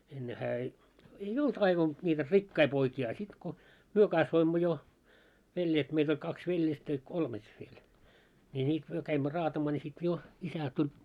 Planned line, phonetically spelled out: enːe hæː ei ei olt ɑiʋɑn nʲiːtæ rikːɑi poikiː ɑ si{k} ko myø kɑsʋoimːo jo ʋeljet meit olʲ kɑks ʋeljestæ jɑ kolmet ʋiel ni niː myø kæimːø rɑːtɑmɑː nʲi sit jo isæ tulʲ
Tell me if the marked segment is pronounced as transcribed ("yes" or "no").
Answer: no